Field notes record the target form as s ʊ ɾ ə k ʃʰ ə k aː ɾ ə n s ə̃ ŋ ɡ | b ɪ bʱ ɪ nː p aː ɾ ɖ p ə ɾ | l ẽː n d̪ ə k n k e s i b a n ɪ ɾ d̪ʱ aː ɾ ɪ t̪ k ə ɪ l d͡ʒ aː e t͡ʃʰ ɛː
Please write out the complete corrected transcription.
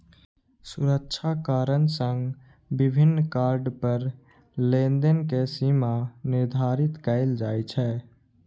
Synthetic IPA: s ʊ ɾ ə k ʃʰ a k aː ɾ ə n s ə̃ ŋ ɡ | b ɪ bʱ ɪ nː k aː ɾ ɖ p ə ɾ | l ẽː n d̪ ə n k e s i m a n ɪ ɾ d̪ʱ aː ɾ ɪ t̪ k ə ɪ l d͡ʒ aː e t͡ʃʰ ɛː

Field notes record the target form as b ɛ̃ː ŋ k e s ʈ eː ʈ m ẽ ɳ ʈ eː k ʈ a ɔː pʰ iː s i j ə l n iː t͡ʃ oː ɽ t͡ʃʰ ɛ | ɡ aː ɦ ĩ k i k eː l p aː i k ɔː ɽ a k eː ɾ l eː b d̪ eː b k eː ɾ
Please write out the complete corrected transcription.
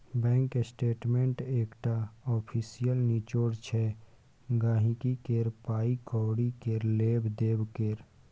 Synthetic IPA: b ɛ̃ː ŋ k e s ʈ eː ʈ m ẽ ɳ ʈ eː k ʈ a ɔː pʰ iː s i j ə l n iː t͡ʃ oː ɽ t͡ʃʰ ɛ | ɡ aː ɦ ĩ k i k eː ɾ p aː i k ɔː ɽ i k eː ɾ l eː b d̪ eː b k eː ɾ

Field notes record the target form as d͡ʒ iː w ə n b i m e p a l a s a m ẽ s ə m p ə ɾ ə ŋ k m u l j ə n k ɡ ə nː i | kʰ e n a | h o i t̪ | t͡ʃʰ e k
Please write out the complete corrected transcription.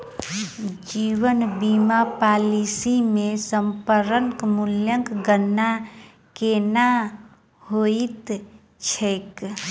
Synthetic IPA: d͡ʒ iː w ə n b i m a p a l i s i m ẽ s ə m p ə ɾ ə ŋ k m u l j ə ŋ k ɡ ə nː a | k e n a | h o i t̪ | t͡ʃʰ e k

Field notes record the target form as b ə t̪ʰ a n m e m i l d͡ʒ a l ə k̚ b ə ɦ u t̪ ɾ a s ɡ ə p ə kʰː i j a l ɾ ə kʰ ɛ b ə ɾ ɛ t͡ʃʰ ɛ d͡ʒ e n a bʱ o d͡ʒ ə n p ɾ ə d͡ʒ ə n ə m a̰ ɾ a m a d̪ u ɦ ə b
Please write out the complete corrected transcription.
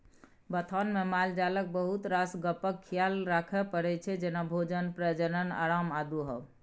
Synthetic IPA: b ə t̪ʰ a n m e m a l d͡ʒ a l ə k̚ b ə ɦ u t̪ ɾ a s ɡ ə p ə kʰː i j a l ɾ a kʰ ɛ p ə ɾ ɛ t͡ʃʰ ɛ d͡ʒ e n a bʱ o d͡ʒ ə n p ɾ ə d͡ʒ ə n ə n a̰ ɾ a m a d̪ u ɦ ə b

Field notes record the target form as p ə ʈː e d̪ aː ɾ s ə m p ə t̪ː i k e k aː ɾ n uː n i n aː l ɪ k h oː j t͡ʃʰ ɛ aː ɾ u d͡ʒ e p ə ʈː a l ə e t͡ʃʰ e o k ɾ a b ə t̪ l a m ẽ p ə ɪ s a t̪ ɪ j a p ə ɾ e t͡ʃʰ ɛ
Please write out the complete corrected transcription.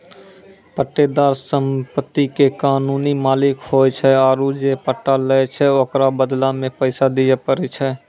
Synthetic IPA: p ə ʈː e d̪ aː ɾ s ə m p ə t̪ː i k e k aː n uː n i m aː l ɪ k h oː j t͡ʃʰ ɛ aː ɾ u d͡ʒ e p ə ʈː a l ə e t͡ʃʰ ɛ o k ɾ a b ə d̪ l a m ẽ p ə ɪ s a d̪ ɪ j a p ə ɾ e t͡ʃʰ ɛ

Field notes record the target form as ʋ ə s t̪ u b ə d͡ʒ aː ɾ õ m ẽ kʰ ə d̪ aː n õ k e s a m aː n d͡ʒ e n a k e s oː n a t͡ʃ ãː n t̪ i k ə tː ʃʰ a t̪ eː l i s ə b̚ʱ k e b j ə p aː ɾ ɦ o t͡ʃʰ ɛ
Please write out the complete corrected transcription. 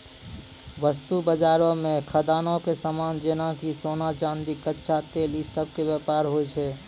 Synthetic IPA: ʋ ə s t̪ u b ə d͡ʒ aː ɾ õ m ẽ kʰ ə d̪ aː n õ k e s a m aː n d͡ʒ e n a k i s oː n a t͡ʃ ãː n d̪ i k ə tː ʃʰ a t̪ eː l i s ə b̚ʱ k e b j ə p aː ɾ ɦ o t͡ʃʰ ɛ

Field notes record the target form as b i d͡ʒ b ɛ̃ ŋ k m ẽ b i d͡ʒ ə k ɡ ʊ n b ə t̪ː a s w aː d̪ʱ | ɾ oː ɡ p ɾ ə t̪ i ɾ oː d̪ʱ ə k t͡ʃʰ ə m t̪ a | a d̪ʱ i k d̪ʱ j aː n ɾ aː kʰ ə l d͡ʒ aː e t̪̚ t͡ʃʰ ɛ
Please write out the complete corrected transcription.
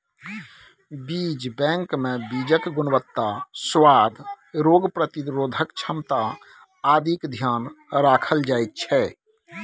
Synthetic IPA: b i d͡ʒ b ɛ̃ ŋ k m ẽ b i d͡ʒ ə k ɡ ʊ n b ə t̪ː a s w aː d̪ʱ | ɾ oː ɡ p ɾ ə t̪ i ɾ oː d̪ʱ ə k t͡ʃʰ ə m t̪ a | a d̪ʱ i k d̪ʱ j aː n ɾ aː kʰ ə l d͡ʒ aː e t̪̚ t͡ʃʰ ɛ

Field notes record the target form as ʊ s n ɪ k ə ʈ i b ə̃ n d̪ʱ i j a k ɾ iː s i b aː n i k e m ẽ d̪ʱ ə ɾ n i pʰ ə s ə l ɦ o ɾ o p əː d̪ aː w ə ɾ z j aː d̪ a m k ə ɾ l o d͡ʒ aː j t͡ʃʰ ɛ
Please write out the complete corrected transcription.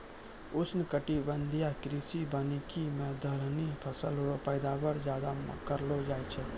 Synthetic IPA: ʊ s n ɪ k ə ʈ i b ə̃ n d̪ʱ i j a k ɾ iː s i b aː n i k i m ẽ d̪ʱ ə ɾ n i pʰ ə s ə l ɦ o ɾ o p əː d̪ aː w ə ɾ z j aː d̪ a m k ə ɾ l o d͡ʒ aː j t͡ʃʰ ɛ

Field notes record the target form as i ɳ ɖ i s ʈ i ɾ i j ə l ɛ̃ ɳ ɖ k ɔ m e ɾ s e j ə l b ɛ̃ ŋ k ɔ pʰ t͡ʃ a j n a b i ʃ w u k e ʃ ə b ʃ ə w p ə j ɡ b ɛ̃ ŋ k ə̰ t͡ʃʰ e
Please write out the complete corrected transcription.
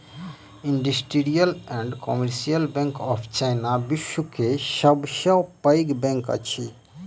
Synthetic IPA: i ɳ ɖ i s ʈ i ɾ i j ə l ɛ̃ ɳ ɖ k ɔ m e ɾ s i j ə l b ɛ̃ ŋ k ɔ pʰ t͡ʃ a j n a b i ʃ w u k e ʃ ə b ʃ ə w p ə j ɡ b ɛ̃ ŋ k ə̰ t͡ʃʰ i

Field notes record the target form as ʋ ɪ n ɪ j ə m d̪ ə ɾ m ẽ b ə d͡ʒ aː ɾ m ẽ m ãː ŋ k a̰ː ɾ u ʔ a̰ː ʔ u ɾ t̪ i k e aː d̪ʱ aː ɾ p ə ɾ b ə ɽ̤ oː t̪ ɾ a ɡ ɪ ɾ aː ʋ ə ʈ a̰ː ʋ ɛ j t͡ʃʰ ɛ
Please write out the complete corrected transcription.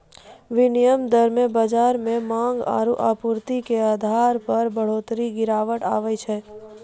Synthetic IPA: ʋ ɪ n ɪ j ə m d̪ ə ɾ m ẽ b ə d͡ʒ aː ɾ m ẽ m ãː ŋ ɡ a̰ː ɾ u ʔ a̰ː p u ɾ t̪ i k e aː d̪ʱ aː ɾ p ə ɾ b ə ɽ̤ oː t̪ ɾ i ɡ ɪ ɾ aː ʋ ə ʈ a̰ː ʋ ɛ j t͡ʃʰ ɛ

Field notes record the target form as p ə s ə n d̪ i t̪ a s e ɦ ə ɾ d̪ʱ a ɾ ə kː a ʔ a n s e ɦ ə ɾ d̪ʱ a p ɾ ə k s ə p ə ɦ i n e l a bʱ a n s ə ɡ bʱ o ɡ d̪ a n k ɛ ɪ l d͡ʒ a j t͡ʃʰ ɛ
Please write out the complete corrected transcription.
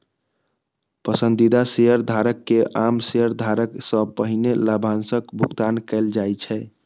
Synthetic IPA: p ə s ə n d̪ i d̪ a s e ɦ ə ɾ d̪ʱ a ɾ ə kː e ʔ a m s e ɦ ə ɾ d̪ʱ a ɾ ə k s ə p ə ɦ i n e l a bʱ a n s ə k bʱ u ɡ t̪ a n k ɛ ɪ l d͡ʒ a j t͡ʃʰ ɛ

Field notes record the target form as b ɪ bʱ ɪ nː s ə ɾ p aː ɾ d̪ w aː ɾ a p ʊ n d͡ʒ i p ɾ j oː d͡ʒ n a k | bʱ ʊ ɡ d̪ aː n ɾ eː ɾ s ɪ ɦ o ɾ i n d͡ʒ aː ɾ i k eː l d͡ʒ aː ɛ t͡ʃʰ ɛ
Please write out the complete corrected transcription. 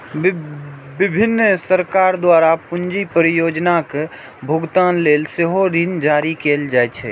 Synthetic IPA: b ɪ bʱ ɪ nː s ə ɾ k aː ɾ d̪ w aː ɾ a p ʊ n d͡ʒ i p ɾ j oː d͡ʒ n a k | bʱ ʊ ɡ t̪ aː n l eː l s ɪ ɦ o ɾ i n d͡ʒ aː ɾ i k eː l d͡ʒ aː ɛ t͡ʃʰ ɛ

